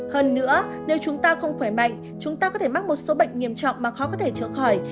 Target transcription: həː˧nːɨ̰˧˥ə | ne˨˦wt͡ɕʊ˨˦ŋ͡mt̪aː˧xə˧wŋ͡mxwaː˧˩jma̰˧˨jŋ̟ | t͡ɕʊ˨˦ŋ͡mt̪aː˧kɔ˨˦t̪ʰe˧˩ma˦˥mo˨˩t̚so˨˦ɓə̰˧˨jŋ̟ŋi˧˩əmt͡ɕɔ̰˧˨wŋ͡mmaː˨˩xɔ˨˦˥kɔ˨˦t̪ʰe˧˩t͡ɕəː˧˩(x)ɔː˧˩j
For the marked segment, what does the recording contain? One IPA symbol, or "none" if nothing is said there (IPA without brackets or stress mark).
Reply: x